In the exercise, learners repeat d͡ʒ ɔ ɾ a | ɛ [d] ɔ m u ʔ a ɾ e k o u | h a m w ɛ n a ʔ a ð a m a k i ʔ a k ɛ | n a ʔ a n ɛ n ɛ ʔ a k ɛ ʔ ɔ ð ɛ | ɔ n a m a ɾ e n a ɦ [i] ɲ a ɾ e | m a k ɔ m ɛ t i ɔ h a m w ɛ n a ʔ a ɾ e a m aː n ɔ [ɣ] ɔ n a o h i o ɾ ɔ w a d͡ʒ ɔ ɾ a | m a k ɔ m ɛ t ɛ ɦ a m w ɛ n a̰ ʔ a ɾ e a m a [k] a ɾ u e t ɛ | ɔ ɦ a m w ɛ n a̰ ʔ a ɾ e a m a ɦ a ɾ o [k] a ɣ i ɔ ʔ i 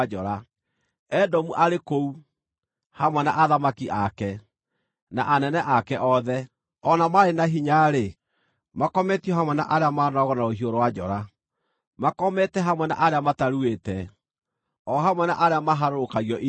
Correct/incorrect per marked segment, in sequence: correct, correct, correct, incorrect: t, correct

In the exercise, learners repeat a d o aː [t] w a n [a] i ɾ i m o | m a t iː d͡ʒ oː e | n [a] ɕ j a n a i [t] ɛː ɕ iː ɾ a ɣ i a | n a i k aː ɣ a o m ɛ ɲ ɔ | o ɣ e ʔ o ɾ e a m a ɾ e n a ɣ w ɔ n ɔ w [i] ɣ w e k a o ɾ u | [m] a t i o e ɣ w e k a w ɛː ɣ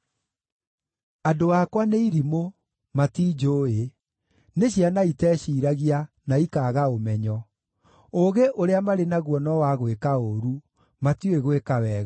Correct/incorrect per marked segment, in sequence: incorrect: k, incorrect: e, incorrect: e, correct, incorrect: a, correct

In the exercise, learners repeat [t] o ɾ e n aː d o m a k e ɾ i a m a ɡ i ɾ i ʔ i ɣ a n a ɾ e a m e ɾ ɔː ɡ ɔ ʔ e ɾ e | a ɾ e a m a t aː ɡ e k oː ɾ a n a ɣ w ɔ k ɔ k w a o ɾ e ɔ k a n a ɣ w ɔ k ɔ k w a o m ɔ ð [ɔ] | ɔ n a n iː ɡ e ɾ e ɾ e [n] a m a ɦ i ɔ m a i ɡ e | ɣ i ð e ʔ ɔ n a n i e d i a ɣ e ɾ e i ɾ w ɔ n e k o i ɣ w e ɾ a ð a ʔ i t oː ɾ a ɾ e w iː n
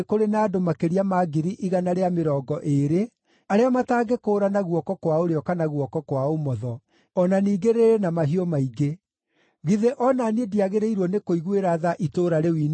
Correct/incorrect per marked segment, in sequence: incorrect: k, correct, correct

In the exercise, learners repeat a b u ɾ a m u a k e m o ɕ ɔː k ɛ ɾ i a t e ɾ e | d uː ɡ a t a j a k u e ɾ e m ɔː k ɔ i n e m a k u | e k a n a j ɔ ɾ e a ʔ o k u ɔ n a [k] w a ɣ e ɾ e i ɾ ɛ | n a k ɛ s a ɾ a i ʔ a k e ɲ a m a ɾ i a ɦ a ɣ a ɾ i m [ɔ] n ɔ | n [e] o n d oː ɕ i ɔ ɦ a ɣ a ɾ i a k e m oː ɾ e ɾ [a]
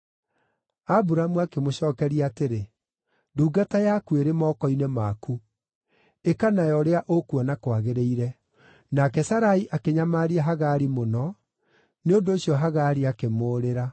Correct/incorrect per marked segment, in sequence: correct, incorrect: o, correct, correct

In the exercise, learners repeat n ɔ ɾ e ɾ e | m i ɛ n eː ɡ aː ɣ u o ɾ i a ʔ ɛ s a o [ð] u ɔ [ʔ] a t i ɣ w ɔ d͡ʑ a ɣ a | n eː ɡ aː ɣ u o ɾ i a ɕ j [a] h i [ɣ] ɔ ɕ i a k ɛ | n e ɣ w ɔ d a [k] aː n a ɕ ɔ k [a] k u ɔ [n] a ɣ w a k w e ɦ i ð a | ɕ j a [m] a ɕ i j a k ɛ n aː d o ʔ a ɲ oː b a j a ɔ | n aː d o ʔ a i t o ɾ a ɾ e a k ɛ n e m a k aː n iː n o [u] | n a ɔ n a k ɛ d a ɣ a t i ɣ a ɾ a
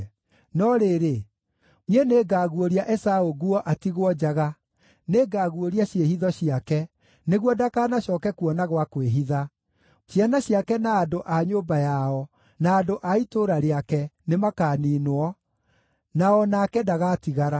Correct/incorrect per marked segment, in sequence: incorrect: ɣ, correct, incorrect: e, incorrect: ð, correct, incorrect: ɛ, correct, incorrect: n, incorrect: ɔ

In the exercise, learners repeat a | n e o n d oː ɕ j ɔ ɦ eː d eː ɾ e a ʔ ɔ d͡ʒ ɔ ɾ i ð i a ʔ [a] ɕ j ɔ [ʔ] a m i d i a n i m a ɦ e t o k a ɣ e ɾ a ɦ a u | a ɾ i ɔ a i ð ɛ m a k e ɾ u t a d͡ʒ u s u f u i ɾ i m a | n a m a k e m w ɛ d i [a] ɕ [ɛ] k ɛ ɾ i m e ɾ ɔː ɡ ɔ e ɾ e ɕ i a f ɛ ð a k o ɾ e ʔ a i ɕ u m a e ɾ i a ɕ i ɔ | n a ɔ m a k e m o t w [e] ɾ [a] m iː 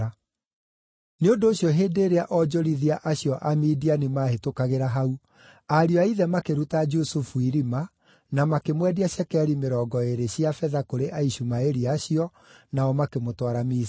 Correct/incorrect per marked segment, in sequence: correct, correct, correct, correct, incorrect: a, correct

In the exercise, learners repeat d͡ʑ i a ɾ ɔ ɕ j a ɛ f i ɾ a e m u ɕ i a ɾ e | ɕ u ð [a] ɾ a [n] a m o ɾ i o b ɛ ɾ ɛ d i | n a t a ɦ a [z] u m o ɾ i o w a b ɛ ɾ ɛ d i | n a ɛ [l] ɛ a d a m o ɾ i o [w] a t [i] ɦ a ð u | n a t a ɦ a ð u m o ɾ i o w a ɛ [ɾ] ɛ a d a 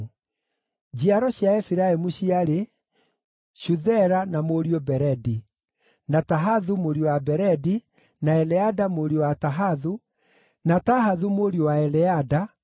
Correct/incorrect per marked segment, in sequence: incorrect: ɛ, correct, incorrect: ð, correct, correct, incorrect: a, incorrect: l

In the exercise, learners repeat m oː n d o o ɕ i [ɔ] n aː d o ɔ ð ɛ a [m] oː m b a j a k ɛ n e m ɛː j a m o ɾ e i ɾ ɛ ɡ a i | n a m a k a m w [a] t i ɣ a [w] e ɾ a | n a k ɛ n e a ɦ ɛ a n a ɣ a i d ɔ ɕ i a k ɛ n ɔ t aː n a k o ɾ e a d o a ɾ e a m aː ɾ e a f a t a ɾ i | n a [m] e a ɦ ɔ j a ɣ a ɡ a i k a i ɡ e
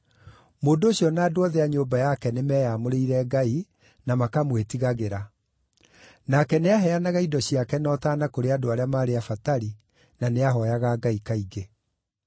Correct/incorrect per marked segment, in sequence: correct, incorrect: ɲ, incorrect: e, incorrect: ɣ, incorrect: n

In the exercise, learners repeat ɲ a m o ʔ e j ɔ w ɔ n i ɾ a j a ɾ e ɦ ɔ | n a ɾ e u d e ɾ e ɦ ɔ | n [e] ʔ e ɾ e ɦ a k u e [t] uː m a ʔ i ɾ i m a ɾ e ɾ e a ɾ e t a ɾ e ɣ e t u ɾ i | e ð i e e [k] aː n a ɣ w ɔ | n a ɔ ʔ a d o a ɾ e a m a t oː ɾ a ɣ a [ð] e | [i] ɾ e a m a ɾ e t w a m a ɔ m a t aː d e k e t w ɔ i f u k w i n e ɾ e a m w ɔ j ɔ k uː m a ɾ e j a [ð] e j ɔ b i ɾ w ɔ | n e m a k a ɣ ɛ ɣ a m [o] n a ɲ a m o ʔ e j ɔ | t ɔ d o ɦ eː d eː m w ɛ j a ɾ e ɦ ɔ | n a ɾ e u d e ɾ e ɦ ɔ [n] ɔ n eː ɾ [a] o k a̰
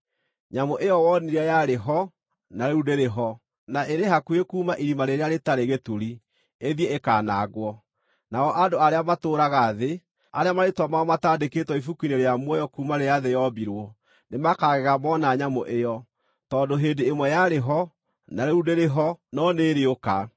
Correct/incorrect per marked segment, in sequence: incorrect: a, incorrect: k, correct, correct, incorrect: a, correct, incorrect: ɔ, correct, incorrect: e

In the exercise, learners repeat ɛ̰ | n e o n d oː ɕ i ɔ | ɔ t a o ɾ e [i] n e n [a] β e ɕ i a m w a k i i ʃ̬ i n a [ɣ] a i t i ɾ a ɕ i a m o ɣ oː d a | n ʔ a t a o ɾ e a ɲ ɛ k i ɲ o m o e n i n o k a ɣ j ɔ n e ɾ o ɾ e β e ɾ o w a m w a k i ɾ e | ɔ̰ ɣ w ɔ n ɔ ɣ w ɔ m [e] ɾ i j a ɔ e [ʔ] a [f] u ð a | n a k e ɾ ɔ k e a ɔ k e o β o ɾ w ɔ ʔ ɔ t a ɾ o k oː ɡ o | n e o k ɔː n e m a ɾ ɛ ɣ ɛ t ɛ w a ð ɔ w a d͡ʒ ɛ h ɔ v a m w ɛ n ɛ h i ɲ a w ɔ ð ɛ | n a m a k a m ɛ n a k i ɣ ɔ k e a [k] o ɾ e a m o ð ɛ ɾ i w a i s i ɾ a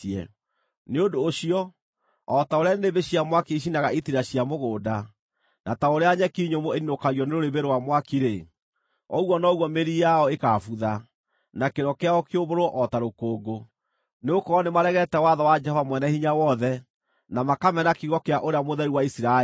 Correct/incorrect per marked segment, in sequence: incorrect: a, incorrect: e, correct, correct, incorrect: k, correct, incorrect: ʔ

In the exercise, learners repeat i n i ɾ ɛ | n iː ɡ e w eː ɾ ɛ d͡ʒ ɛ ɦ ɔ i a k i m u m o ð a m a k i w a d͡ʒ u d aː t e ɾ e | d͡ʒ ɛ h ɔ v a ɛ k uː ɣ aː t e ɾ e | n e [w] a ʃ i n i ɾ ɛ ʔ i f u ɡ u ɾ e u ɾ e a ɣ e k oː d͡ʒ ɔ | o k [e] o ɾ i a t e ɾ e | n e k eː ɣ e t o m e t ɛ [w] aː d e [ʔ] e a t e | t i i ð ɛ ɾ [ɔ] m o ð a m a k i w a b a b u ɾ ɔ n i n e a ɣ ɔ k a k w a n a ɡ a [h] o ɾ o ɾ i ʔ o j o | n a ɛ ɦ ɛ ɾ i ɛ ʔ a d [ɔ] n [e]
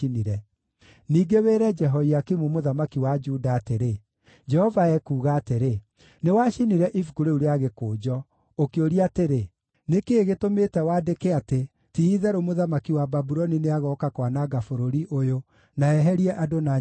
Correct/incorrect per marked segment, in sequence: correct, correct, correct, incorrect: k, incorrect: o, incorrect: f, incorrect: o, incorrect: a

